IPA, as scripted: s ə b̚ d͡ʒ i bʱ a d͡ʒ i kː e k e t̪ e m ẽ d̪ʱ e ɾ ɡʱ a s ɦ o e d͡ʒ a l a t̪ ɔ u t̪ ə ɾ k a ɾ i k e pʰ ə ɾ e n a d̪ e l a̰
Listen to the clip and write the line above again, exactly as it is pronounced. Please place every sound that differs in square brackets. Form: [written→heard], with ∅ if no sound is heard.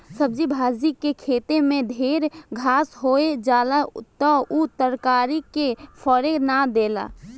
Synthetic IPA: s ə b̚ d͡ʒ i bʱ a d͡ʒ i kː e [k→kʰ] e t̪ e m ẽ d̪ʱ e ɾ ɡʱ a s ɦ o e d͡ʒ a l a t̪ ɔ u t̪ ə ɾ k a ɾ i k e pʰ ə ɾ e n a d̪ e l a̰